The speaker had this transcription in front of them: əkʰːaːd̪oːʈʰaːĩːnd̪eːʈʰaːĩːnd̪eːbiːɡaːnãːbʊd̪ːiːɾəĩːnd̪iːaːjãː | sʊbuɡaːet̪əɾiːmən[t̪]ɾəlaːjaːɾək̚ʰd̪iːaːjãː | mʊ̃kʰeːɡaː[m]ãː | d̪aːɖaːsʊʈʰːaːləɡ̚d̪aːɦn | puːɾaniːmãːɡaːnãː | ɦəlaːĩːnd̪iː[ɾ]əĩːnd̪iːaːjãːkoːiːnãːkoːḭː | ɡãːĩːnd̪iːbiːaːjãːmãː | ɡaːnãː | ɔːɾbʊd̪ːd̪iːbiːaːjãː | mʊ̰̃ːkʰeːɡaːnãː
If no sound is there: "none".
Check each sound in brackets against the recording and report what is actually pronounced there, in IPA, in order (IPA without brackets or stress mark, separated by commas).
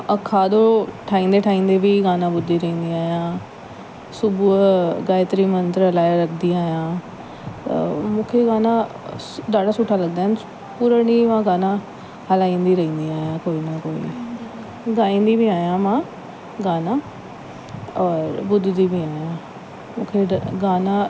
t̪, n, ɾ